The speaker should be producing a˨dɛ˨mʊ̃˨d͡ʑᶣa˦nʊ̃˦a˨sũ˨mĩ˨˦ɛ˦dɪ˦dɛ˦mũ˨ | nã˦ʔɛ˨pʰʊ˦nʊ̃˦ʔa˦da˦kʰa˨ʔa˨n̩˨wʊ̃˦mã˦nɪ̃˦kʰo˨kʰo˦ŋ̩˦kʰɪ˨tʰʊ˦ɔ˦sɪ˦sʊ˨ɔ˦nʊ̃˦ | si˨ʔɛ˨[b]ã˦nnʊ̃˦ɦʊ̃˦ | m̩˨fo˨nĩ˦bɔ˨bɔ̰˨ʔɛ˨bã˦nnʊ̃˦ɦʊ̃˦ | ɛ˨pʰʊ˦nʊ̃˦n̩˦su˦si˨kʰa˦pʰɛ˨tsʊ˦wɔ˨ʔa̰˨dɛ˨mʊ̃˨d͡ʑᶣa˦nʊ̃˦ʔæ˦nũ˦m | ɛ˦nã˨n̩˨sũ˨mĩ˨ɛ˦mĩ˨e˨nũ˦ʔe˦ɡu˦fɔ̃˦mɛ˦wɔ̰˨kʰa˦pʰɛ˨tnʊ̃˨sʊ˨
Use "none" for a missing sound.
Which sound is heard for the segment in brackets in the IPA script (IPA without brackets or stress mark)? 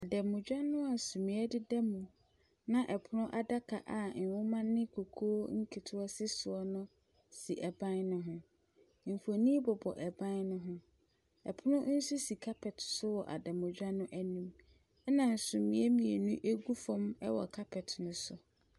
b